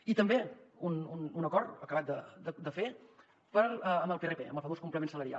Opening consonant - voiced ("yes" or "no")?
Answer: no